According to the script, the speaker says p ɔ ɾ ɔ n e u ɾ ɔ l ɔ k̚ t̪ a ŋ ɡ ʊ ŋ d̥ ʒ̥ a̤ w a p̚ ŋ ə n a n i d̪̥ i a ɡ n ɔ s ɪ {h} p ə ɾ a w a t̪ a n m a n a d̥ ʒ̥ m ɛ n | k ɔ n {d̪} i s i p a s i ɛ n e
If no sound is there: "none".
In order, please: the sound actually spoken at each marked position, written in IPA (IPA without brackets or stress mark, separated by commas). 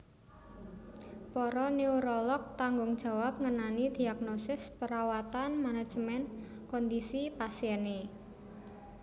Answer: s, d̪